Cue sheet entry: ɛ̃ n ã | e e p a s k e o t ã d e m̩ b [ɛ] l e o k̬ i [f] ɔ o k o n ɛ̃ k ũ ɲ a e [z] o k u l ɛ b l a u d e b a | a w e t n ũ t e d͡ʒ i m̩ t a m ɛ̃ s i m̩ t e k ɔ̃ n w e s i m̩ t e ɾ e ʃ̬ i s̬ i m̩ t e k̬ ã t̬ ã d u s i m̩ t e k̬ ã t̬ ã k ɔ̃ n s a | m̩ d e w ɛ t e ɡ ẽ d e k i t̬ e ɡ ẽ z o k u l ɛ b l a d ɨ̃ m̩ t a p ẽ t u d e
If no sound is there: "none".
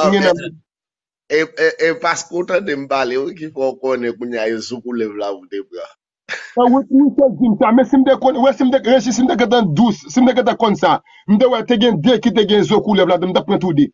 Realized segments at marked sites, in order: a, f, z

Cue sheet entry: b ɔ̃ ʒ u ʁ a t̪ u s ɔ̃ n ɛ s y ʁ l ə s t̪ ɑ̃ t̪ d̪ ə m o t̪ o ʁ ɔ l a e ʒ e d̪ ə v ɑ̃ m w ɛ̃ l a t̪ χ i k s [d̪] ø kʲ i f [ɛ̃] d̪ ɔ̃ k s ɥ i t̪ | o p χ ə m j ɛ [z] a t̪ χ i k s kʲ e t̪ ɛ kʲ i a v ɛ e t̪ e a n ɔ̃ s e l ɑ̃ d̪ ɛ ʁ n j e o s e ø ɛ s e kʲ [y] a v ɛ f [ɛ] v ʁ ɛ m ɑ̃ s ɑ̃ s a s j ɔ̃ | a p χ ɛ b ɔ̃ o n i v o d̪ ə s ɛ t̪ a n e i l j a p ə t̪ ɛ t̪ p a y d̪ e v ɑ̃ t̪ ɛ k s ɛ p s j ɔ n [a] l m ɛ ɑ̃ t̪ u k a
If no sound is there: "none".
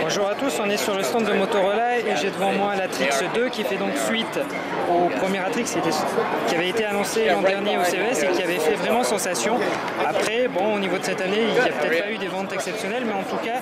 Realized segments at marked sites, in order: d̪, ɛ, ʁ, i, ɛ, ɛ

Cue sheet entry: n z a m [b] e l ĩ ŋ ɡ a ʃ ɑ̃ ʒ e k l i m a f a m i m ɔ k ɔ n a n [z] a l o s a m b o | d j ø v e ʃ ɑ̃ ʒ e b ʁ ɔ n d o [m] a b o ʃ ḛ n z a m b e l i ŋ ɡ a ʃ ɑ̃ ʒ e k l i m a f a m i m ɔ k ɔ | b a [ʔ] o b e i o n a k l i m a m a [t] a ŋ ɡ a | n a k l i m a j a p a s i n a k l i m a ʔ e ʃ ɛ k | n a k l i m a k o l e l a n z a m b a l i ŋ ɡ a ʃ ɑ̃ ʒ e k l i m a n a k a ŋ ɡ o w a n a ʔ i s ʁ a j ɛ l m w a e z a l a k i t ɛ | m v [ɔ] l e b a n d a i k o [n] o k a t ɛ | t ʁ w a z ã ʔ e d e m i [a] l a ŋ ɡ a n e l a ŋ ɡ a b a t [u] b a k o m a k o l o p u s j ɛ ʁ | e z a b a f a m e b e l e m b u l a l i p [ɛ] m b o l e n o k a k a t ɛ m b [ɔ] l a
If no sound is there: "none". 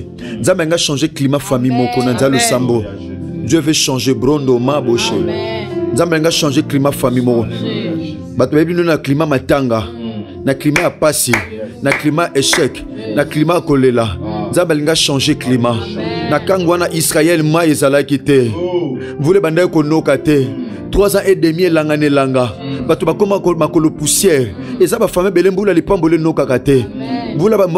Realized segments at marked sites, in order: b, z, m, t, t, u, n, e, o, a, u

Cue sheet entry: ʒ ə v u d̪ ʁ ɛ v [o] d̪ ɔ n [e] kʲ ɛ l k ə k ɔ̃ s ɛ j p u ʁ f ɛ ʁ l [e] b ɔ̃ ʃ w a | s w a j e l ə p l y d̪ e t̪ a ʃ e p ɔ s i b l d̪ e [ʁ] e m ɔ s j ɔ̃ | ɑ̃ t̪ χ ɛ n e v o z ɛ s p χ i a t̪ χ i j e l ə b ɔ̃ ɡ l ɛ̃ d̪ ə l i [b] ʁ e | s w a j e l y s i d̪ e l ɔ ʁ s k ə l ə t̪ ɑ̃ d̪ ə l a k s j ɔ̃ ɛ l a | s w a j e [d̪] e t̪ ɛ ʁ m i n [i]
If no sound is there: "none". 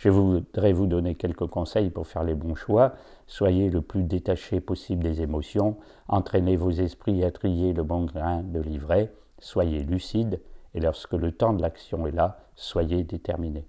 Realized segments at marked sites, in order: u, e, e, z, v, d̪, e

